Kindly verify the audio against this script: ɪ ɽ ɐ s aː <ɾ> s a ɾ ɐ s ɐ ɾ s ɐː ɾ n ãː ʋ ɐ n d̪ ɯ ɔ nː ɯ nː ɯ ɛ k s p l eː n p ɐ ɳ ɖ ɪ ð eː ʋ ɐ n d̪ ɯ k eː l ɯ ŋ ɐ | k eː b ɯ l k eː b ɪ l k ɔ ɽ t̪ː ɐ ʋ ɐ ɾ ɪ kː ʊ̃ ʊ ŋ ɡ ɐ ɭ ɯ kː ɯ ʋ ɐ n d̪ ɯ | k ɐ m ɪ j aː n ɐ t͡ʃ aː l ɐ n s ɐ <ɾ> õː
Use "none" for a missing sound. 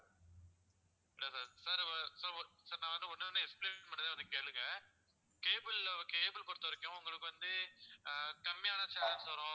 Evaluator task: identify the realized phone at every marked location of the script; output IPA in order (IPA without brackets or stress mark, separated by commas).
ɾ, ɾ